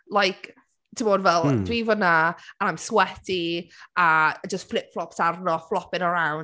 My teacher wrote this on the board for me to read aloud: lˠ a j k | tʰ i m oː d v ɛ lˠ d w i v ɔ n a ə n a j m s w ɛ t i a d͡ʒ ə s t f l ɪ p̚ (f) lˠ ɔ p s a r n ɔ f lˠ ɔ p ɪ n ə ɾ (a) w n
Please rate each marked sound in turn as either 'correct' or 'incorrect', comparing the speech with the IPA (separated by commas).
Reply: correct, correct